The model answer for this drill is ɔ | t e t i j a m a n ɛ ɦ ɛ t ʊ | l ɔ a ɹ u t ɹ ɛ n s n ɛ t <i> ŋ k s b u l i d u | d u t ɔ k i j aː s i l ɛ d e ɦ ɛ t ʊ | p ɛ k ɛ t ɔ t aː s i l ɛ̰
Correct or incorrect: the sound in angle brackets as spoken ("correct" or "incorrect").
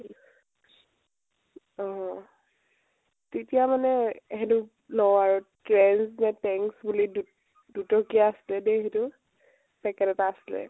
incorrect